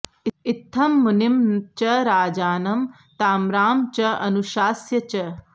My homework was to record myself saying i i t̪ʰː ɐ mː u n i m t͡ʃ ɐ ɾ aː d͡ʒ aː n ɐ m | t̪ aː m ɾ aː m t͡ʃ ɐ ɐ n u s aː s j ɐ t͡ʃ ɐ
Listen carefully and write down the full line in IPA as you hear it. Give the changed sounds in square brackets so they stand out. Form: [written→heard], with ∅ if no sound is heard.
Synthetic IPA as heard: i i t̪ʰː ɐ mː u n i m t͡ʃ ɐ ɾ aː d͡ʒ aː n ɐ m | t̪ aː m ɾ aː m t͡ʃ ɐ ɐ n u [s→ʃ] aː s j ɐ t͡ʃ ɐ